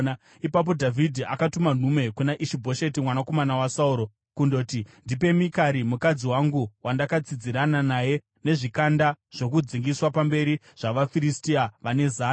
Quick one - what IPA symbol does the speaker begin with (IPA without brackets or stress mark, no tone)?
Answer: i